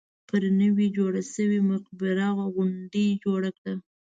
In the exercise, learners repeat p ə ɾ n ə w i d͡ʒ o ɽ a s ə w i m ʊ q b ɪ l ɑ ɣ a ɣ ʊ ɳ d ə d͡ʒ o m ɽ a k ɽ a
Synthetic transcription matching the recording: p ə ɾ n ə w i d͡ʒ o ɽ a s ə w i m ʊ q b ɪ ɾ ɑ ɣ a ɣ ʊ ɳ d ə d͡ʒ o ɽ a k ɽ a